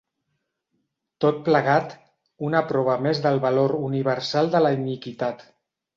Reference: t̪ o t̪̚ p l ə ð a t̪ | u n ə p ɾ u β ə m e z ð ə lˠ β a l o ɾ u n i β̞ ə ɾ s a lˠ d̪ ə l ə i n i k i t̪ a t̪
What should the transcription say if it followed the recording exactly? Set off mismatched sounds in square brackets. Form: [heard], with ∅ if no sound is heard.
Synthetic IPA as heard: t̪ o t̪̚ p l ə [ɣ] a t̪ | u n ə p ɾ [ɔ] β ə m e z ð ə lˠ β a l o ɾ u n i β̞ ə ɾ s a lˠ d̪ ə l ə i n i k i t̪ a t̪